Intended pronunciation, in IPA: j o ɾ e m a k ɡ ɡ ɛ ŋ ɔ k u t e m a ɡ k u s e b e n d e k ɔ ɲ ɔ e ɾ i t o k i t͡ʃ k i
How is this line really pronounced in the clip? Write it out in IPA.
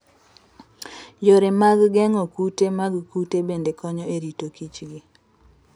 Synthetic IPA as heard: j o ɾ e m a ɡ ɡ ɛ ŋ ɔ k u t e m a ɡ k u t e b e n d e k ɔ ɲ ɔ e ɾ i t o k i t͡ʃ ɡ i